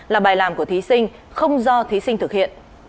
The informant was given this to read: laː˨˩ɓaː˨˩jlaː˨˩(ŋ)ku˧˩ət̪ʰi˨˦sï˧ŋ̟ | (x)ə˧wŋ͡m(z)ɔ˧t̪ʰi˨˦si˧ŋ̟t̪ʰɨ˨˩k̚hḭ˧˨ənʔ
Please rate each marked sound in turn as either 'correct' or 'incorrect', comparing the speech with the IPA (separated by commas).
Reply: incorrect, correct, correct